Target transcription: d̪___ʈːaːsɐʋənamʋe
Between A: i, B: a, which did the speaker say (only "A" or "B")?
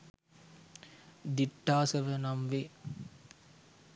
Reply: A